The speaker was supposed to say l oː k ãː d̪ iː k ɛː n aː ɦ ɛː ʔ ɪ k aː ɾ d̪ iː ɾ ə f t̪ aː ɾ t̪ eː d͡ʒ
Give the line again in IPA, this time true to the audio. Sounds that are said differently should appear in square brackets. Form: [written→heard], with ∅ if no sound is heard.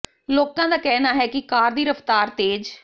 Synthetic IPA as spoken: l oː k ãː d̪ [iː→aː] k ɛː n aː ɦ ɛː [ʔ→k] ɪ k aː ɾ d̪ iː ɾ ə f t̪ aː ɾ t̪ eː d͡ʒ